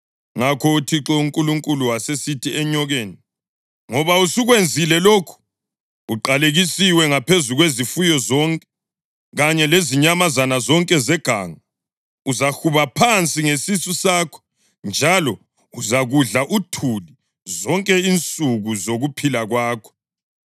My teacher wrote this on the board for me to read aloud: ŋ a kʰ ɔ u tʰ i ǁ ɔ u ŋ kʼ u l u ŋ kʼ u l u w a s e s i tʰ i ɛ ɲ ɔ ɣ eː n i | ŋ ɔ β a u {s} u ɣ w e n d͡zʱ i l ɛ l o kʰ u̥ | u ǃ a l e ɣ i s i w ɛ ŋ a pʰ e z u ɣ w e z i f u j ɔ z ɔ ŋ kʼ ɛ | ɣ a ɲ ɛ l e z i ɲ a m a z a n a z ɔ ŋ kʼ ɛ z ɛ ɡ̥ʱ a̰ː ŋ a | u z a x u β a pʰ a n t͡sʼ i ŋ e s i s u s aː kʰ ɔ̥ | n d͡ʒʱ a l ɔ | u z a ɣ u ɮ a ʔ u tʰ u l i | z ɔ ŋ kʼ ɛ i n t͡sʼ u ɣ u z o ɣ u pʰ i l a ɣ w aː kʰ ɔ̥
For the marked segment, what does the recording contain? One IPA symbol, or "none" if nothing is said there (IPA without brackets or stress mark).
s